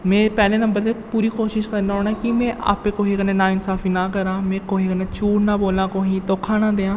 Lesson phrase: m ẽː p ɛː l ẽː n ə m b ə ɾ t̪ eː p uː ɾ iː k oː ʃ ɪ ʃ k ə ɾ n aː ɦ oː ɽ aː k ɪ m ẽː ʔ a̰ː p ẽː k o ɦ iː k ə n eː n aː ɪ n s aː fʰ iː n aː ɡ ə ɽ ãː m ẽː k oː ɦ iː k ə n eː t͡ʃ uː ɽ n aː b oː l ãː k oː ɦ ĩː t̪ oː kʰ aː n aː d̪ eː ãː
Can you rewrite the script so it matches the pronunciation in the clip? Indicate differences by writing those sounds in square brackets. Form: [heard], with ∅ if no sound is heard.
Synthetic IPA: m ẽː p ɛː l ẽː n ə m b ə ɾ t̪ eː p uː ɾ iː k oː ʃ ɪ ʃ k ə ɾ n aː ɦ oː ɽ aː k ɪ m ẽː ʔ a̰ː p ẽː k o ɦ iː k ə n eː n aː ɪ n s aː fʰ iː n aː [k] ə [ɾ] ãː m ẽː k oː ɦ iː k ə n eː t͡ʃ uː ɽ n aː b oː l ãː k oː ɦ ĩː t̪ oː kʰ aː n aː d̪ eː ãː

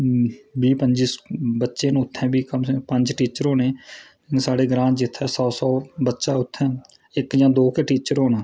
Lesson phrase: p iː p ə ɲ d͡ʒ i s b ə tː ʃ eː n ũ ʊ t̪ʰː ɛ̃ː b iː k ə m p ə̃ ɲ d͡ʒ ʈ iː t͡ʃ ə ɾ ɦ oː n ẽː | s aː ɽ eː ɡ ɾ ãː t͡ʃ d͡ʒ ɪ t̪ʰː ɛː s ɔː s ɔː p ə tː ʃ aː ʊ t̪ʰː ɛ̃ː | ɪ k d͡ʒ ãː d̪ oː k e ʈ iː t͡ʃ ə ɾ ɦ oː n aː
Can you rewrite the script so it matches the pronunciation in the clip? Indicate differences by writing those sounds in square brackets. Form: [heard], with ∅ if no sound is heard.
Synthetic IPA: [b] iː p ə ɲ d͡ʒ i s b ə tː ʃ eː n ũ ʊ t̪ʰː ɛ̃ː b iː k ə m p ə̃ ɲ d͡ʒ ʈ iː t͡ʃ ə ɾ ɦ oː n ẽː | s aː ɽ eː ɡ ɾ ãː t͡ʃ d͡ʒ ɪ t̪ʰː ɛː s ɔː s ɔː [b] ə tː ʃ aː ʊ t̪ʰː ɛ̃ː | ɪ k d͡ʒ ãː d̪ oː k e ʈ iː t͡ʃ ə ɾ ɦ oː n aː

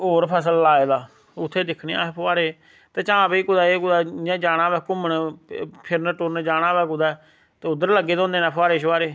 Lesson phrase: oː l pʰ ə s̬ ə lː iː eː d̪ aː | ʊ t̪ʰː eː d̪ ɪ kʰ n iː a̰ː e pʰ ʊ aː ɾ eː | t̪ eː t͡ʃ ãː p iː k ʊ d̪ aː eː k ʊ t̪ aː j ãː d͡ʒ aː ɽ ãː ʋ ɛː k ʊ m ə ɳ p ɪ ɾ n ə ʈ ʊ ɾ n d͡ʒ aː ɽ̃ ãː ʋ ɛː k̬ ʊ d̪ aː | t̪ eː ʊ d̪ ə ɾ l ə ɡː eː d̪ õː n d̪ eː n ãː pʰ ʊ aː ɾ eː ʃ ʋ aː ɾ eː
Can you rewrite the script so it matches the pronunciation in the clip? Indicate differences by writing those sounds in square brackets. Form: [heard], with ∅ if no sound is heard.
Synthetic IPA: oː [ɾ] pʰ ə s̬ ə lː [aː] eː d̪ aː | ʊ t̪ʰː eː d̪ ɪ kʰ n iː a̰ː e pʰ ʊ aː ɾ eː | t̪ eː t͡ʃ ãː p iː k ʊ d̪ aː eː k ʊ [d̪] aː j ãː d͡ʒ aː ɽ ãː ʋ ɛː k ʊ m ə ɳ [pʰ] ɪ ɾ n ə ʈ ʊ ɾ n d͡ʒ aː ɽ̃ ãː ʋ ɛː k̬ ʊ d̪ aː | t̪ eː ʊ d̪ ə ɾ l ə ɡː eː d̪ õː n d̪ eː n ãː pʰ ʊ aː ɾ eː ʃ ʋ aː ɾ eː

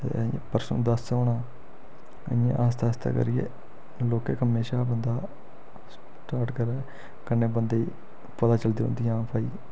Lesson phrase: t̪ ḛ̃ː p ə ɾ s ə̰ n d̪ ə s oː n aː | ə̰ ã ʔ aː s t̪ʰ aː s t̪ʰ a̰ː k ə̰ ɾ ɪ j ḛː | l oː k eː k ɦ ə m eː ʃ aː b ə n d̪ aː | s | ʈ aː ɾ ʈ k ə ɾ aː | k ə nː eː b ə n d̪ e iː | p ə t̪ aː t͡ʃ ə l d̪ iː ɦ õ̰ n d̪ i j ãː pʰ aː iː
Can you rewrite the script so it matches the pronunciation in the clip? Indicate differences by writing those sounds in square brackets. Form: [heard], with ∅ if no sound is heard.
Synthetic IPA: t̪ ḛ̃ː p ə ɾ s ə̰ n d̪ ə s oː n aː | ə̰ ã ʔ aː s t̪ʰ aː s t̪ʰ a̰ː k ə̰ ɾ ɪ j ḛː | l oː k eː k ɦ ə m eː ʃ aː b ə n d̪ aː | s | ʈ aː ɾ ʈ k ə ɾ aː | k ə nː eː b ə n d̪ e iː | p ə t̪ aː t͡ʃ ə l d̪ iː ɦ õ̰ n d̪ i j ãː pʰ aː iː

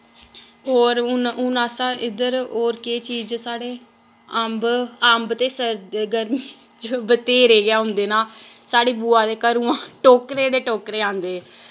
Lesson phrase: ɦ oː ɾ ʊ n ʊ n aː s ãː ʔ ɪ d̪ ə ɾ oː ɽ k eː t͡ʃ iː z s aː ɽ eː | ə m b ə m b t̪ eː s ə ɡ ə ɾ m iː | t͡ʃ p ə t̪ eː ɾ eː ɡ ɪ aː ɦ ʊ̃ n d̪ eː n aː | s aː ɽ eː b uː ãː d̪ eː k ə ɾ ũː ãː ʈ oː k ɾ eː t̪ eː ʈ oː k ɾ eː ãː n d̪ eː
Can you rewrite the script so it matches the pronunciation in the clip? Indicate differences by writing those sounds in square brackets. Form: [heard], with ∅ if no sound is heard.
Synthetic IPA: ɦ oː ɾ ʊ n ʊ n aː s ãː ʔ ɪ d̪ ə ɾ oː [ɾ] k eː t͡ʃ iː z s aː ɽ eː | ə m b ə m b t̪ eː s ə ɡ ə ɾ m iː | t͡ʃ [b] ə t̪ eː ɾ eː ɡ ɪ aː ɦ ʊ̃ n d̪ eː n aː | s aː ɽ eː b uː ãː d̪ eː k ə ɾ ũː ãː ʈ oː k ɾ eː [d̪] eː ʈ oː k ɾ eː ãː n d̪ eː

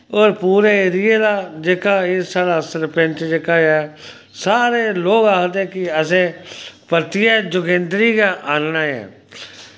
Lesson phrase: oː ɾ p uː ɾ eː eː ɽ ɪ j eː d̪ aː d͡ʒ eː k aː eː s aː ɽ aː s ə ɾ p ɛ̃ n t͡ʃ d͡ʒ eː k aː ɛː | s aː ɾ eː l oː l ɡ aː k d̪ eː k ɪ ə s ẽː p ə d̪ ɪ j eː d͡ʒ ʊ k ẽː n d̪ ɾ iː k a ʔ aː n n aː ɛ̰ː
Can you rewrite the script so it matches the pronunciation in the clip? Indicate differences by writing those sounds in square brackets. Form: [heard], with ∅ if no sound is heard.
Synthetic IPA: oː ɾ p uː ɾ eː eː [ɾ] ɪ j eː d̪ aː d͡ʒ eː k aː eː s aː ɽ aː s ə ɾ p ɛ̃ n t͡ʃ d͡ʒ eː k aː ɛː | s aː ɾ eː l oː [∅] ɡ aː k d̪ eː k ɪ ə s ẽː p ə [t̪] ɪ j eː d͡ʒ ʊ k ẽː n d̪ ɾ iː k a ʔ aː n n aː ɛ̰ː

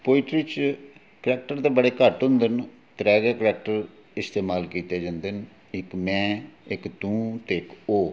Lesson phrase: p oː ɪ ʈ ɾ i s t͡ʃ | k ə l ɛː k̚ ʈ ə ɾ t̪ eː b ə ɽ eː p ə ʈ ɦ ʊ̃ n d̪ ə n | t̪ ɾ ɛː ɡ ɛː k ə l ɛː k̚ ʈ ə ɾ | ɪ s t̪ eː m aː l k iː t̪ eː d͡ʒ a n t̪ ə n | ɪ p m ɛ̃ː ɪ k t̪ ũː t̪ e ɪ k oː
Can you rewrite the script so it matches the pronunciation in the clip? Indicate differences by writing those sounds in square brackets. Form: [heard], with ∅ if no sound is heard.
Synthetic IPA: p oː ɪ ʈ ɾ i [∅] t͡ʃ | k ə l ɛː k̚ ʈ ə ɾ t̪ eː b ə ɽ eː [k] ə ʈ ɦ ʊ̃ n d̪ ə n | t̪ ɾ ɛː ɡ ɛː k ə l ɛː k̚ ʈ ə ɾ | ɪ s t̪ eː m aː l k iː t̪ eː d͡ʒ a n [d̪] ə n | ɪ [k] m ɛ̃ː ɪ k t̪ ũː t̪ e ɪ k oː

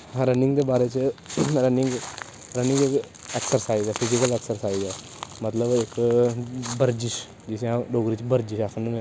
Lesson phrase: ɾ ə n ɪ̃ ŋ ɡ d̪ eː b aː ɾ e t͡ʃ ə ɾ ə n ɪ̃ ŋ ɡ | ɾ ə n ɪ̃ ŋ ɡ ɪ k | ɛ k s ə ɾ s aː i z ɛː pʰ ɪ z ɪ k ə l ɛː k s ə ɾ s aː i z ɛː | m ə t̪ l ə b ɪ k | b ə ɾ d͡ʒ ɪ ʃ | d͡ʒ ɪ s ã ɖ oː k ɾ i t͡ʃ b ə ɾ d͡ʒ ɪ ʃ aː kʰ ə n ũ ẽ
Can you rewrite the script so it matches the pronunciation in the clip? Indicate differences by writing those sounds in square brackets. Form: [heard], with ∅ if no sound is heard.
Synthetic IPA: ɾ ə n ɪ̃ ŋ ɡ d̪ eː b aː ɾ e t͡ʃ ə ɾ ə n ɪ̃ ŋ ɡ | ɾ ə n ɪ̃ ŋ ɡ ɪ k | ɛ k s ə ɾ s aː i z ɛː pʰ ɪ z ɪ k ə l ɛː k s ə ɾ s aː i z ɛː | m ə t̪ l ə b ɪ k | b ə ɾ d͡ʒ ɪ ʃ | d͡ʒ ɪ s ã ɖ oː [ɡ] ɾ i t͡ʃ b ə ɾ d͡ʒ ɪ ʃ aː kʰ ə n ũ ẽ

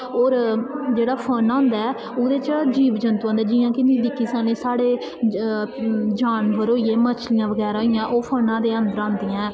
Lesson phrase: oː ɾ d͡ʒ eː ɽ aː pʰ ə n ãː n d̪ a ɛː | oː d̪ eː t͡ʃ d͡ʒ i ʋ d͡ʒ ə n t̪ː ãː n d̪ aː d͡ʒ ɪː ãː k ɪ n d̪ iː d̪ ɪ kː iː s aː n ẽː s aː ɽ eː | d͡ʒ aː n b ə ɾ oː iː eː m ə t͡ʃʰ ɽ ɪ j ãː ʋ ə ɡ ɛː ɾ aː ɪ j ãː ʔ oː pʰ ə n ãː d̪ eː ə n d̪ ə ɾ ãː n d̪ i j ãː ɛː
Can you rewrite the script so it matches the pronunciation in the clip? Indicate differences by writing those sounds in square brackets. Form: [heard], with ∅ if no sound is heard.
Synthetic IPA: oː ɾ d͡ʒ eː ɽ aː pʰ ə n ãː n d̪ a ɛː | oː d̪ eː t͡ʃ d͡ʒ [iː] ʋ d͡ʒ ə n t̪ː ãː n d̪ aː d͡ʒ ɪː ãː k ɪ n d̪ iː d̪ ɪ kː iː s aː n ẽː s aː ɽ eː | d͡ʒ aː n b ə ɾ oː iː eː m ə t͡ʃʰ [l] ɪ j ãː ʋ ə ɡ ɛː ɾ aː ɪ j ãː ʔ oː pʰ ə n ãː d̪ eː ə n d̪ ə ɾ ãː n d̪ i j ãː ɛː

